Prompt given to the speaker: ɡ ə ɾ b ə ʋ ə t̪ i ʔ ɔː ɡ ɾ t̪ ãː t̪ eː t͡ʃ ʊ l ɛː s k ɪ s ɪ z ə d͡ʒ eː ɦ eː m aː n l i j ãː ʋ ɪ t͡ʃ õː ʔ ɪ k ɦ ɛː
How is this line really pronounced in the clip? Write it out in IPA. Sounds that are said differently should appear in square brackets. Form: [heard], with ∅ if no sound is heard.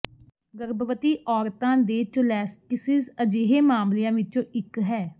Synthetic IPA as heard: ɡ ə ɾ b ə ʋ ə t̪ [iː] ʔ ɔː [∅] ɾ t̪ ãː [d̪] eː t͡ʃ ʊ l ɛː s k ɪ s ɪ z ə d͡ʒ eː ɦ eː m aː [m] l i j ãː ʋ ɪ t͡ʃ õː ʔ ɪ k ɦ ɛː